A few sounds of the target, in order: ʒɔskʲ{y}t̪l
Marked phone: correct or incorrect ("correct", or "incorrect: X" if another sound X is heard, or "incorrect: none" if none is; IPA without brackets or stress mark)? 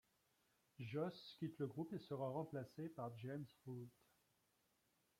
incorrect: i